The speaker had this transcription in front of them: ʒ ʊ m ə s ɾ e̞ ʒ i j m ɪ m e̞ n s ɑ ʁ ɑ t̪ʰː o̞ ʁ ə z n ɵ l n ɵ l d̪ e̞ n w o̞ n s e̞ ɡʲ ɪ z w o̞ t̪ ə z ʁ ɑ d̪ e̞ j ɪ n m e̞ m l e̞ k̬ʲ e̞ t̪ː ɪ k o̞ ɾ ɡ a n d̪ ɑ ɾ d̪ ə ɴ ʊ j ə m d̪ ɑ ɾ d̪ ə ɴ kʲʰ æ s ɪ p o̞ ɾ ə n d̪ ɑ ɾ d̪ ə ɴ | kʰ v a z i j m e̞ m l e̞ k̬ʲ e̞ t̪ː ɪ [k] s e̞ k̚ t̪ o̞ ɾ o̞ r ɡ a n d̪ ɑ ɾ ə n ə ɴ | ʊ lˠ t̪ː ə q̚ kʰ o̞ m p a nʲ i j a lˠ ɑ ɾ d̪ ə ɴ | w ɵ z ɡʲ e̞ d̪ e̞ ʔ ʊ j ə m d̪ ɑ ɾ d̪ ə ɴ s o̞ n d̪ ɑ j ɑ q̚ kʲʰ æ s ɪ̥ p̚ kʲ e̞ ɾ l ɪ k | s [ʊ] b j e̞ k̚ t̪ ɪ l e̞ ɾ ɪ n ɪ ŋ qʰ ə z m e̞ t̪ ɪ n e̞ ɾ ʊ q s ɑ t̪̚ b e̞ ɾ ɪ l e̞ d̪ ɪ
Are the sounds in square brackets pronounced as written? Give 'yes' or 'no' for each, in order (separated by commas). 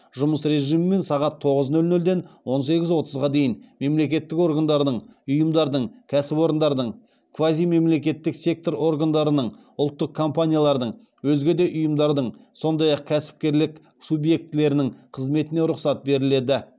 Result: yes, no